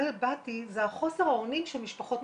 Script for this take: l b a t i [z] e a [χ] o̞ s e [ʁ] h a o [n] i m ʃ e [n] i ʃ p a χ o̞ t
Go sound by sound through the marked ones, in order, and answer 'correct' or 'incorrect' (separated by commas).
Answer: correct, correct, correct, correct, incorrect